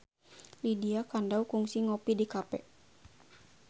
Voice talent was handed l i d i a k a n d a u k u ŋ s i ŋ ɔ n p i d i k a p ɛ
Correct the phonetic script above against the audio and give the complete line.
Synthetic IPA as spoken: l i d i a k a n d a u k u ŋ s i ŋ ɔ p i d i k a p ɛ

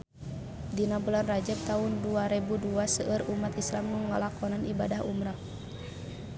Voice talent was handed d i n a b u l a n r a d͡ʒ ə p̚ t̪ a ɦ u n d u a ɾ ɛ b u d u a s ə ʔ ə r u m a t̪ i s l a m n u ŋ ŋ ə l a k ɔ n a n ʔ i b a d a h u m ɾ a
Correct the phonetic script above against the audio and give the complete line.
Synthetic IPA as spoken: d i n a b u l a n r a d͡ʒ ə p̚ t̪ a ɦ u n d u a ɾ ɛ b u d u a s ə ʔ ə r u m a t̪ i s l a m n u ŋ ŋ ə l a k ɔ n a n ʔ i b a d a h u m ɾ a

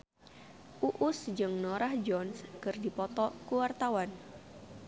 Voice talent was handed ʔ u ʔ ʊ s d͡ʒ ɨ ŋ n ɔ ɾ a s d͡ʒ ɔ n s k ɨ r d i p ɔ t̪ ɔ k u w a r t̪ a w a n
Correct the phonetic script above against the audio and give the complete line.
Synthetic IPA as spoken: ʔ u ʔ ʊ s d͡ʒ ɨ ŋ n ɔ ɾ a h d͡ʒ ɔ n s k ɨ r d i p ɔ t̪ ɔ k u w a r t̪ a w a n

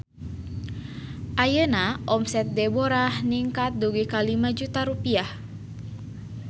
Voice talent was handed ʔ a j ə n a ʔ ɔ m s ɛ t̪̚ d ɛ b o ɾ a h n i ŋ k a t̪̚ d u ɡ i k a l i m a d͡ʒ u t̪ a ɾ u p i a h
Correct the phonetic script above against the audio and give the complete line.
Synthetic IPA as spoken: ʔ a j ə n a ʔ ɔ m s ɛ t̪̚ d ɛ b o ɾ a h n i ŋ k a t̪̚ d u ɡ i k a l i m a d͡ʒ u t̪ a ɾ u p i a h

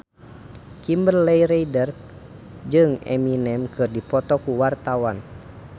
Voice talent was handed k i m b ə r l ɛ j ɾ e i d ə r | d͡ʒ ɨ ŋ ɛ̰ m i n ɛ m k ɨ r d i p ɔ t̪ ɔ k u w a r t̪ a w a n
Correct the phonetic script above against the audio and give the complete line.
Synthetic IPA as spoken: k i m b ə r l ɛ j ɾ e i d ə r | d͡ʒ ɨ ŋ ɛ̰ m i n ɛ m k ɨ r d i p ɔ t̪ ɔ k u w a r t̪ a w a n

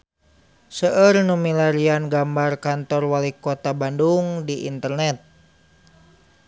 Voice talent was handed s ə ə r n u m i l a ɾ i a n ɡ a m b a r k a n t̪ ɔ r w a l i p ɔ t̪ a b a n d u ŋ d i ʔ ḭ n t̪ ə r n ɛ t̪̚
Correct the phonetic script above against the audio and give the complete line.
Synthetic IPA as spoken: s ə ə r n u m i l a ɾ i a n ɡ a m b a r k a n t̪ ɔ r w a l i k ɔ t̪ a b a n d u ŋ d i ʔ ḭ n t̪ ə r n ɛ t̪̚

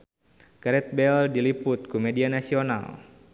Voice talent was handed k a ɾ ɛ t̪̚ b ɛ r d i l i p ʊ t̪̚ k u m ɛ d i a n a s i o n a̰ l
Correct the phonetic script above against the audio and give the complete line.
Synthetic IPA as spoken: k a ɾ ɛ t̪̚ b ɛ l d i l i p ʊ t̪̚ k u m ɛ d i a n a s i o n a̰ l

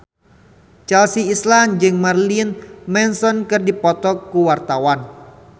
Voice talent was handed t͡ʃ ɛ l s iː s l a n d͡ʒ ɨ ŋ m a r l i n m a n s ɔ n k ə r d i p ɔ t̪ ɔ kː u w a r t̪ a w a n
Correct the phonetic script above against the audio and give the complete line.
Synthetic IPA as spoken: t͡ʃ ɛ l s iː s l a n d͡ʒ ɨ ŋ m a r l i n m ɛ n s ɔ n k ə r d i p ɔ t̪ ɔ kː u w a r t̪ a w a n

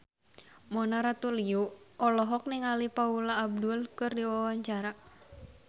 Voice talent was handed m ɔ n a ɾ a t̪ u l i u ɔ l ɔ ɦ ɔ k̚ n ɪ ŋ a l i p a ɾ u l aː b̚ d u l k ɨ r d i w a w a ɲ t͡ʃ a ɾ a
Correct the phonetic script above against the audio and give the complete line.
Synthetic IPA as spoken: m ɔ n a ɾ a t̪ u l i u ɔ l ɔ ɦ ɔ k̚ n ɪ ŋ a l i p a u l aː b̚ d u l k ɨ r d i w a w a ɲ t͡ʃ a ɾ a

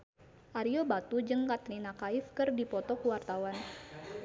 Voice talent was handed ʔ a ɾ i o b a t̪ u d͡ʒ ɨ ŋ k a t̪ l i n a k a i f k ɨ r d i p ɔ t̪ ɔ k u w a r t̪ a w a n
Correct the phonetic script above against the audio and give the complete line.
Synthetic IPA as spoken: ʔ a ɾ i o b a t̪ u d͡ʒ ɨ ŋ k a t̪ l i n a k a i f k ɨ r d i p ɔ t̪ ɔ k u w a r t̪ a w a n

